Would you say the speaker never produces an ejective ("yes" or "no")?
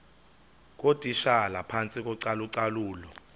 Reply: no